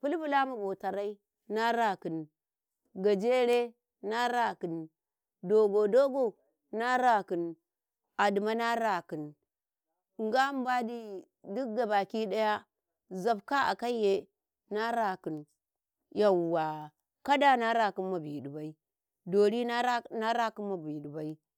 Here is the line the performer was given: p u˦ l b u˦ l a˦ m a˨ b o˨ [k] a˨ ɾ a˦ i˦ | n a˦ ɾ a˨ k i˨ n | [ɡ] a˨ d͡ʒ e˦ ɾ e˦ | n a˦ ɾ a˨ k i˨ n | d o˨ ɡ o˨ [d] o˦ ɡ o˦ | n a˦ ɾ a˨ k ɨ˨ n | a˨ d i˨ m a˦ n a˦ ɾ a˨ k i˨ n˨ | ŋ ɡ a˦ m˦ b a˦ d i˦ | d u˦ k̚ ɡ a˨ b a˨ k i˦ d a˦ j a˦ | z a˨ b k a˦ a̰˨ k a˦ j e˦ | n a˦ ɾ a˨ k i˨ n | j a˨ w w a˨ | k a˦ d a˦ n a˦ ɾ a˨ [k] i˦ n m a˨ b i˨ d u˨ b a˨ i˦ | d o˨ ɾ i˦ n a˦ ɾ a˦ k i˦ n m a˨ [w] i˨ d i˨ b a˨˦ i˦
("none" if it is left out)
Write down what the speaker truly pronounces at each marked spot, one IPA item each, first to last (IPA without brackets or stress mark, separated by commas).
t, ɡ, d, k, b